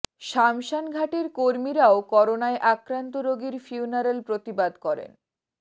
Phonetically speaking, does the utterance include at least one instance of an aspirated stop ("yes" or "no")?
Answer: no